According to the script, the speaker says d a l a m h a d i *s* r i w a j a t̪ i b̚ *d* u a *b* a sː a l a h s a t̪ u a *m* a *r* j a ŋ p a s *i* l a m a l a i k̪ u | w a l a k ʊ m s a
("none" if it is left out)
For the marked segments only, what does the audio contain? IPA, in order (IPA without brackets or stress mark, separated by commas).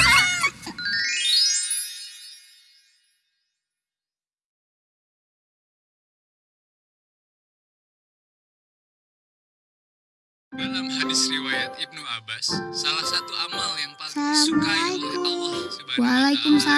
s, n, b, m, l, a